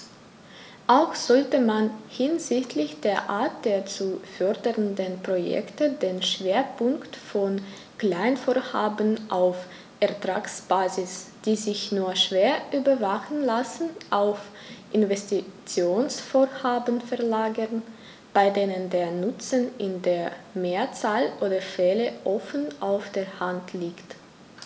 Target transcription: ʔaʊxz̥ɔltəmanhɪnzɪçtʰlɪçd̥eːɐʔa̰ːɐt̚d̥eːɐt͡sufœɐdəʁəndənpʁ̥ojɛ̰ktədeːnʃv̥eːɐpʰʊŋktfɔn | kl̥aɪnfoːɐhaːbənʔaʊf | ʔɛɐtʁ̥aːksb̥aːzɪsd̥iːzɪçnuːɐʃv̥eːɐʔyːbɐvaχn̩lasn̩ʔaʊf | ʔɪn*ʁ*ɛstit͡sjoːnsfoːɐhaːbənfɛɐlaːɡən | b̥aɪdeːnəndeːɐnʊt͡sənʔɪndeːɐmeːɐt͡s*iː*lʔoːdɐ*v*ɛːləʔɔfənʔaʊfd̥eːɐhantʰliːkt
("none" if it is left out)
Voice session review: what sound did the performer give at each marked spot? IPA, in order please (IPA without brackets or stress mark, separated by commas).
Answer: v, aː, f